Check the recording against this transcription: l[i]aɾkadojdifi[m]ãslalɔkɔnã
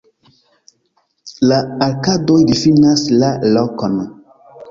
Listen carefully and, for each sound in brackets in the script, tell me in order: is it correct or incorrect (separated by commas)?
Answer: incorrect, incorrect